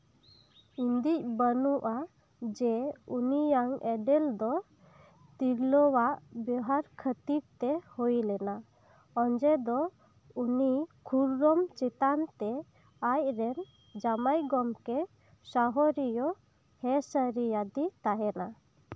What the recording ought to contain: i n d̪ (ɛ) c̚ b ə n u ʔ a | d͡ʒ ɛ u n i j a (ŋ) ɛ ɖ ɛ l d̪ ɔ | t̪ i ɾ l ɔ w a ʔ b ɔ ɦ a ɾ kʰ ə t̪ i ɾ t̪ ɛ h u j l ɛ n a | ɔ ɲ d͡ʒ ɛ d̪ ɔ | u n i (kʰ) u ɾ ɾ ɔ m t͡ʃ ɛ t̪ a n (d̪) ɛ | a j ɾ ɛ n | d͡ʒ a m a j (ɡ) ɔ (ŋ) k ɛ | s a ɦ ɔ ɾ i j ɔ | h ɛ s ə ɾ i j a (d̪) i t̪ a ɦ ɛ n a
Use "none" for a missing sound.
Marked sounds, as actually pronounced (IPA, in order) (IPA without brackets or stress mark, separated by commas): i, ŋ, kʰ, t̪, ɡ, m, d̪